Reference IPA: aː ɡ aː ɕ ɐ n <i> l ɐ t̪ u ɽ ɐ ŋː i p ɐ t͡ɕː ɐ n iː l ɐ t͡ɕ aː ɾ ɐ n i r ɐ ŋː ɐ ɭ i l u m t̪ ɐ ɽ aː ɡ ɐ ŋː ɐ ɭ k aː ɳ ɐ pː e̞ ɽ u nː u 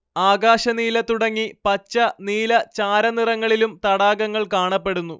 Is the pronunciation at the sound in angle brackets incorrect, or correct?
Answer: incorrect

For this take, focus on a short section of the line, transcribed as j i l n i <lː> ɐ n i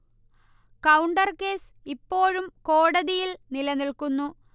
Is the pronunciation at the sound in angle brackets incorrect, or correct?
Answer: incorrect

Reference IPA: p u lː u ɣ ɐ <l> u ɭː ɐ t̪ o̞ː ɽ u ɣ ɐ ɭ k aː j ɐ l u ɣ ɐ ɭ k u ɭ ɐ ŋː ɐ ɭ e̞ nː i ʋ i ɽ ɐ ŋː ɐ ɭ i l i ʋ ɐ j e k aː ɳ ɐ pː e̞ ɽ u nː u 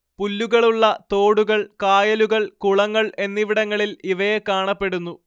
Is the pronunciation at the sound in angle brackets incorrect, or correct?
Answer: incorrect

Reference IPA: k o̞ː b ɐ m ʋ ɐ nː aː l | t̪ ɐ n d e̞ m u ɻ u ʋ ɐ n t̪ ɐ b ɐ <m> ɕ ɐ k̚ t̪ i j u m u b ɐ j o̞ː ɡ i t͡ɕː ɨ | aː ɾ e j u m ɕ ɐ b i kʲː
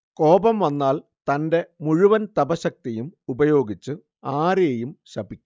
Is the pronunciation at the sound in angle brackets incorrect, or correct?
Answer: incorrect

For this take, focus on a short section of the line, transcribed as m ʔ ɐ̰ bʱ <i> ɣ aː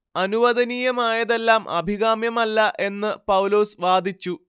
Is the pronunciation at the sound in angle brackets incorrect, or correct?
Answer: correct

